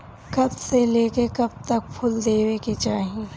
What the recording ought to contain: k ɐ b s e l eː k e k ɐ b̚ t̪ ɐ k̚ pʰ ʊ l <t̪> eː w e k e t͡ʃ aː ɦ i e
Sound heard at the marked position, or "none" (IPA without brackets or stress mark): d̪